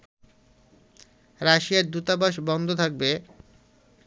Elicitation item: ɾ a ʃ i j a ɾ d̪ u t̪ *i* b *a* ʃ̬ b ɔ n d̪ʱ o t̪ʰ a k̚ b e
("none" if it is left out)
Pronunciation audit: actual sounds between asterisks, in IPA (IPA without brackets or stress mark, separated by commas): a, a